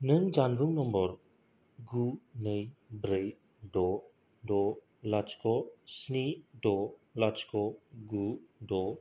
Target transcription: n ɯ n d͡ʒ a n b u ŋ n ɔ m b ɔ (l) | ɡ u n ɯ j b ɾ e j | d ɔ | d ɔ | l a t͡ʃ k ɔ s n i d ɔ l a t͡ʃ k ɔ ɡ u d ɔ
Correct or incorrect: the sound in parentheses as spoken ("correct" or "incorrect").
incorrect